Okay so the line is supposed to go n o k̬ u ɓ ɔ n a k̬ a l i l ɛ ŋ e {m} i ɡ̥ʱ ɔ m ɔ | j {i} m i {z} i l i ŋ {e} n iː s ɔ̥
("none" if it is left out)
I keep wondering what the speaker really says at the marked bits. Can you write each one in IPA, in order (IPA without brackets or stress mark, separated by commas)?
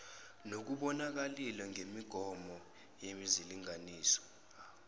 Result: m, e, z, a